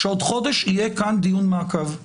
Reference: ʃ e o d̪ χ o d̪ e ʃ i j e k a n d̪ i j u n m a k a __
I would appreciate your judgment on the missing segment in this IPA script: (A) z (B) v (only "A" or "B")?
B